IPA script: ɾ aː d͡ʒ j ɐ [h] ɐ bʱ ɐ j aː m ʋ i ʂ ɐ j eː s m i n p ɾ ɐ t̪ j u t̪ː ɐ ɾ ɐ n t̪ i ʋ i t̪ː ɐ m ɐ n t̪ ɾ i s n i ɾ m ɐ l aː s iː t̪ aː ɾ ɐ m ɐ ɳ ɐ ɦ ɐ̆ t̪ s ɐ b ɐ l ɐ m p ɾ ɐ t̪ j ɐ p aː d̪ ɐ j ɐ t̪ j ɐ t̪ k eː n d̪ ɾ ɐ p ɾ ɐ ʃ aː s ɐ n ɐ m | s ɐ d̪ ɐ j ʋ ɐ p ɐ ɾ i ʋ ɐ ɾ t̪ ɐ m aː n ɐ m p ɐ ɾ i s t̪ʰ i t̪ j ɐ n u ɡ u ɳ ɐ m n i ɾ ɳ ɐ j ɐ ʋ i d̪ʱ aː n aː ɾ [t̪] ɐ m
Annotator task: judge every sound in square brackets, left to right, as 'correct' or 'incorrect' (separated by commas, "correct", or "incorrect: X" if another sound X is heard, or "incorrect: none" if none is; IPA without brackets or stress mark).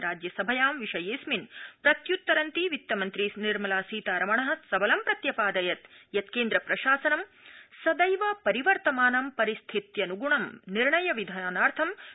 incorrect: s, incorrect: t̪ʰ